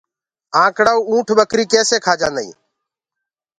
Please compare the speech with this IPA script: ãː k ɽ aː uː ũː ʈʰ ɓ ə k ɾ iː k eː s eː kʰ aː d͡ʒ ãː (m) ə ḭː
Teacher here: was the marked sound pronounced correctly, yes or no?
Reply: no